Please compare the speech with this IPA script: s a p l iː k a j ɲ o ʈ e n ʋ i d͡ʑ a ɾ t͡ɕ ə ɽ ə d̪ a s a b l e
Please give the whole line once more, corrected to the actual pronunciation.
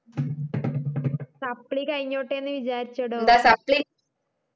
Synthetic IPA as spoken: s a p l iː k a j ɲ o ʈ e n ʋ i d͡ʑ a ɾ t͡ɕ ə ɽ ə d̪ a s a p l i